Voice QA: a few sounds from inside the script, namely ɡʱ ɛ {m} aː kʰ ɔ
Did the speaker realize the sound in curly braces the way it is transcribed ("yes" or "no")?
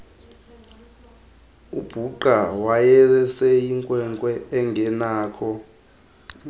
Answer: no